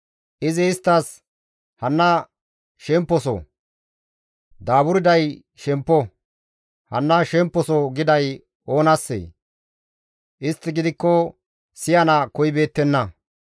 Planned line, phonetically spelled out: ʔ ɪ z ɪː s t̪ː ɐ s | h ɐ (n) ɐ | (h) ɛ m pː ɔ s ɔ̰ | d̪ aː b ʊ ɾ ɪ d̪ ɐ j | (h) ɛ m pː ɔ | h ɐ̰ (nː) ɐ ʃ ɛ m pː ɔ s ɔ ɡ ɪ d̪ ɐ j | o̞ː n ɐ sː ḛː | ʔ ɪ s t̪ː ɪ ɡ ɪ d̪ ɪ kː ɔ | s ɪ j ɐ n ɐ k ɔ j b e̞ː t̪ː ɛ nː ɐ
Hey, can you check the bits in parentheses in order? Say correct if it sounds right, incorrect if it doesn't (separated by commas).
incorrect, incorrect, incorrect, correct